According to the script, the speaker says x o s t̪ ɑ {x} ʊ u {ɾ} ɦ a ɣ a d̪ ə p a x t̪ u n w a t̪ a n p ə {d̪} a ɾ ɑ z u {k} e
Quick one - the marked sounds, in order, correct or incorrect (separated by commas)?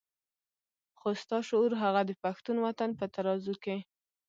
incorrect, correct, incorrect, correct